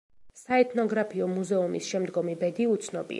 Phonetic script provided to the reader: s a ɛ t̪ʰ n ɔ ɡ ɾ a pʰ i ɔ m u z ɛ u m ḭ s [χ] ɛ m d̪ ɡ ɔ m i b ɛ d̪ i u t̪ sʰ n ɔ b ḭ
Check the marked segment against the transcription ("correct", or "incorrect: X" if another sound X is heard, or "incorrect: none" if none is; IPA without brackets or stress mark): incorrect: ʃ